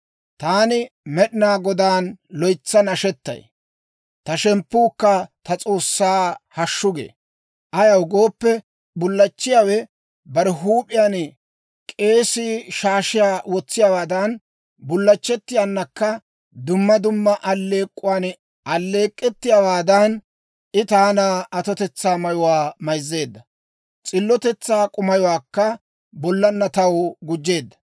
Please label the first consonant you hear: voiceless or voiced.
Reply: voiceless